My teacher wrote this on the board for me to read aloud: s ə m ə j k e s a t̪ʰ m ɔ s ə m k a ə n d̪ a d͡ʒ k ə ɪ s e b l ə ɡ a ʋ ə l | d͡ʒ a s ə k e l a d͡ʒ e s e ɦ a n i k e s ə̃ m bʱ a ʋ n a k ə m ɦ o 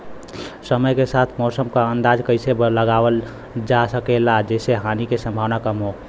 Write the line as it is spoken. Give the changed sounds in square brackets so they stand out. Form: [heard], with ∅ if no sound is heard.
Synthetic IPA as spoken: s ə m ə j k e s a t̪ʰ m ɔ s ə m k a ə n d̪ a d͡ʒ k ə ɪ s e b l ə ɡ a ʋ ə l | d͡ʒ a s ə k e l a d͡ʒ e s e ɦ a n i k e s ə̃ m bʱ a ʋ n a k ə m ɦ o

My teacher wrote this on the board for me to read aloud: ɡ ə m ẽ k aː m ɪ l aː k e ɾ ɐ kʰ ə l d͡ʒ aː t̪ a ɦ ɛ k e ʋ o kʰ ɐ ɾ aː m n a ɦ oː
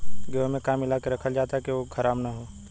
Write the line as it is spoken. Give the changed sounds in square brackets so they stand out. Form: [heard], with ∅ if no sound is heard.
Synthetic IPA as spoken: ɡ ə m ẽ k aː m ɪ l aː k e ɾ ɐ kʰ ə l d͡ʒ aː t̪ a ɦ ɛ k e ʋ o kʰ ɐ ɾ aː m n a ɦ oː

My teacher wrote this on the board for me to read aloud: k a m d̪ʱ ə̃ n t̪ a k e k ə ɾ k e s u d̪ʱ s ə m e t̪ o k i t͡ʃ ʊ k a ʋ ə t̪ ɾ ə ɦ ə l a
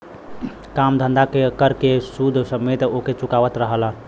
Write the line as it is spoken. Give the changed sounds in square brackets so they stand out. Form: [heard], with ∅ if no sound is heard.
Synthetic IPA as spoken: k a m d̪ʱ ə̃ n [d̪] a k e k ə ɾ k e s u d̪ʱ s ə m e t̪ o k [e] t͡ʃ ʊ k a ʋ ə t̪ ɾ ə ɦ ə l a

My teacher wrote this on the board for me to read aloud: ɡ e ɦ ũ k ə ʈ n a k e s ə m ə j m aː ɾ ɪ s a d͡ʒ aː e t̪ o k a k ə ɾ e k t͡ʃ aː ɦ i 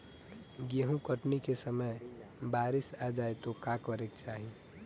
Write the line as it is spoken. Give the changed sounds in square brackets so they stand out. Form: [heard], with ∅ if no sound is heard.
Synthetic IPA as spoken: ɡ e ɦ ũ k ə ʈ n [i] k e s ə m ə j [b] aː ɾ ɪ s a d͡ʒ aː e t̪ o k a k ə ɾ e k t͡ʃ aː ɦ i

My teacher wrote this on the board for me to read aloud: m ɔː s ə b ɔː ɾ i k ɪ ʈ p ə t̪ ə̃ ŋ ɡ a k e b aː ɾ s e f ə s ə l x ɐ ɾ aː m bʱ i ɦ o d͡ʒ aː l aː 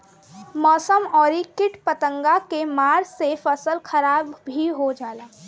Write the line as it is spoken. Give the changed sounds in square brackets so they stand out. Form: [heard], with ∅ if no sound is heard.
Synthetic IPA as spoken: m ɔː s ə [m] ɔː ɾ i k ɪ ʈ p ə t̪ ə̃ ŋ ɡ a k e [m] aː ɾ s e f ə s ə l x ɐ ɾ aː [b] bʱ i ɦ o d͡ʒ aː l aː

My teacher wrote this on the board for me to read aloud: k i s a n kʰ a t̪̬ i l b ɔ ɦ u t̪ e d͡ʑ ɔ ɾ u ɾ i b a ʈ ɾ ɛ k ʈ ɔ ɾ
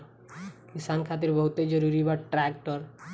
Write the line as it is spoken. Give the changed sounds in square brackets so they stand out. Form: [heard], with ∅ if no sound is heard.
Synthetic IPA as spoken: k i s a n kʰ a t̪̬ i [ɾ] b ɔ ɦ u t̪ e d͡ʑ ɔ ɾ u ɾ i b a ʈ ɾ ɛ k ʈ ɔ ɾ

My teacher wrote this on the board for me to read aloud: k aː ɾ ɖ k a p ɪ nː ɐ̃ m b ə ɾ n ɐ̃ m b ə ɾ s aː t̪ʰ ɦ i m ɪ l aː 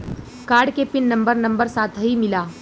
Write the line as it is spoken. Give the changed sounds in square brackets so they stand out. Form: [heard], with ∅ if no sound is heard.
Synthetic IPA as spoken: k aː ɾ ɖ k [e] p ɪ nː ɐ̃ m b ə ɾ n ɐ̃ m b ə ɾ s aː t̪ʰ ɦ i m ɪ l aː

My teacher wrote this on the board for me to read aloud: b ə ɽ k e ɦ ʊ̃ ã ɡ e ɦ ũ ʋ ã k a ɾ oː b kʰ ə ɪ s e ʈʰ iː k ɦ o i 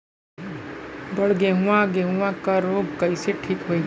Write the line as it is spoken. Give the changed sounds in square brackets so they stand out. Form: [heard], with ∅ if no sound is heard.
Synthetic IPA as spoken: b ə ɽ [ɡ] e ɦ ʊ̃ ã ɡ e ɦ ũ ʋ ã k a ɾ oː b [k] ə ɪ s e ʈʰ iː k ɦ o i

